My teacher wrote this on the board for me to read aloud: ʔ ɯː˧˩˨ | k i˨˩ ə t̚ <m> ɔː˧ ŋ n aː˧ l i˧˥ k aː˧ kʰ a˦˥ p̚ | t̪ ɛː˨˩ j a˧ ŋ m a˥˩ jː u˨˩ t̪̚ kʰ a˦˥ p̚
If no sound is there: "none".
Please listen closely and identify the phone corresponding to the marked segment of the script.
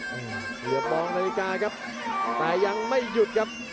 m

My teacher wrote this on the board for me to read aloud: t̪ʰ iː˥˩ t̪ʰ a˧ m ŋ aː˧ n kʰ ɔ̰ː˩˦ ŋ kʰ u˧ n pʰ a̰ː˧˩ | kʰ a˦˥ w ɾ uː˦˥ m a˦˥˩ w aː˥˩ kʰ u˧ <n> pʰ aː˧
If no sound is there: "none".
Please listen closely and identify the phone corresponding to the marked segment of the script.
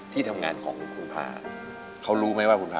n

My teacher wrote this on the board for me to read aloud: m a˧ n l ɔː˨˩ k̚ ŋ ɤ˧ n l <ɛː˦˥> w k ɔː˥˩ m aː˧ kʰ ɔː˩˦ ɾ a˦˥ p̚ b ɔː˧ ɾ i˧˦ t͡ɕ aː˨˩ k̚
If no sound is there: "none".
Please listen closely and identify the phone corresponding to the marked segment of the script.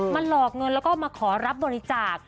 ɛ˦˥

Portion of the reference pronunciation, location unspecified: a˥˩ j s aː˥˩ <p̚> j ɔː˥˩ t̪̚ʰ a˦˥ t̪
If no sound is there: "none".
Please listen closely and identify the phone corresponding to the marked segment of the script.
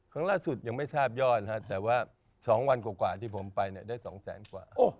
p̚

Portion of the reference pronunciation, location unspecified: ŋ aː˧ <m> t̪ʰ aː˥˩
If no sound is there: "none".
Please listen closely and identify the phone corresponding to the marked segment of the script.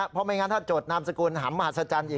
n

